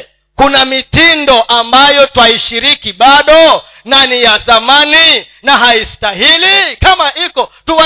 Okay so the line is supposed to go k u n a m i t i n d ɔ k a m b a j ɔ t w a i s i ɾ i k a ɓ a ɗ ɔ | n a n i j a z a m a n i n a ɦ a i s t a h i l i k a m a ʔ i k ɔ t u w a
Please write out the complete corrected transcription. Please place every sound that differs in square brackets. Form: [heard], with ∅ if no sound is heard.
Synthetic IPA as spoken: k u n a m i t i n d ɔ [ʔ] a m b a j ɔ t w a i [ʃ] i ɾ i k [i] ɓ a ɗ ɔ | n a n i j a z a m a n i n a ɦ a i s t a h i l i k a m a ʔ i k ɔ t u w a